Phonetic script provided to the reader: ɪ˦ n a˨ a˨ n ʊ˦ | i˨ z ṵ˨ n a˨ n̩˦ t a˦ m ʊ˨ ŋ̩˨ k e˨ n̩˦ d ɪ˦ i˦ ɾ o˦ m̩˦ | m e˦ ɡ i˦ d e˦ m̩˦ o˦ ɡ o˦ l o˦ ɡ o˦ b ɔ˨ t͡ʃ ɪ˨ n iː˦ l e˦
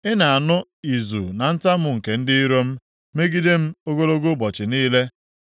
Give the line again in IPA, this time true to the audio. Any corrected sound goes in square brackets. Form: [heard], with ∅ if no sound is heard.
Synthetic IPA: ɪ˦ n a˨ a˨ n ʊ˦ | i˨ z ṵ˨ n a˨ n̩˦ t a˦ m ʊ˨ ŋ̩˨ k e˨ n̩˦ d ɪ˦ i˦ ɾ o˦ m̩˦ | m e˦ ɡ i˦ d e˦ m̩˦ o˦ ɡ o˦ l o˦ ɡ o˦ b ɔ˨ t͡ʃ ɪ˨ n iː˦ l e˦